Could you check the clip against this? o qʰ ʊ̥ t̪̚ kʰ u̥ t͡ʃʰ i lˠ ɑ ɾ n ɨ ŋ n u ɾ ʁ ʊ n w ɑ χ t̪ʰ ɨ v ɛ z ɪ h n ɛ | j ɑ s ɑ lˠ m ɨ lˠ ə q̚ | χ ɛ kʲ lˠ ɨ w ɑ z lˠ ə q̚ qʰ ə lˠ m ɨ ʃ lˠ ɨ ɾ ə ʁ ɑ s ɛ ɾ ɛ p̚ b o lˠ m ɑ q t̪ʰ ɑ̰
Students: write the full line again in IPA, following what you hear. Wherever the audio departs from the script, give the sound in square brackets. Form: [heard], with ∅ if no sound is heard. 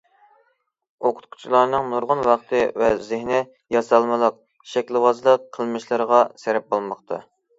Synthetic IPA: o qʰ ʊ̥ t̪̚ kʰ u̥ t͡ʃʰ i lˠ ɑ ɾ n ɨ ŋ n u ɾ ʁ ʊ n w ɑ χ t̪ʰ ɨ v ɛ z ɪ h n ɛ | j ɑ s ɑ lˠ m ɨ lˠ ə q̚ | [ʃ] ɛ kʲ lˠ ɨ w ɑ z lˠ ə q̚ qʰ ə lˠ m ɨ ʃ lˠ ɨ ɾ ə ʁ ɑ s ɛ ɾ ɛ p̚ b o lˠ m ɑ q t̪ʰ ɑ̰